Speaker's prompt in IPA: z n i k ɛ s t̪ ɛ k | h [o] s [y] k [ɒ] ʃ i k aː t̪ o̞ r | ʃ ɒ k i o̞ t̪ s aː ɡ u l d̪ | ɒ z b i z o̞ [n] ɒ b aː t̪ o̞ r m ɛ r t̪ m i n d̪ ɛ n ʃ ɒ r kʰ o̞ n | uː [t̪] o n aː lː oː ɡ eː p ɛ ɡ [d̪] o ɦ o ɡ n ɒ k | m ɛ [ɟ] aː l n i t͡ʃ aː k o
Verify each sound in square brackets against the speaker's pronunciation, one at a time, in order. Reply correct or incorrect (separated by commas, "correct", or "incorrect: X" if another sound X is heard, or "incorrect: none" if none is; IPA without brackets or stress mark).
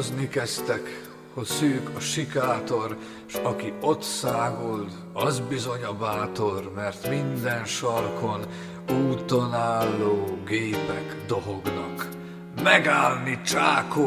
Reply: correct, incorrect: yː, correct, incorrect: ɲ, correct, correct, incorrect: ɡ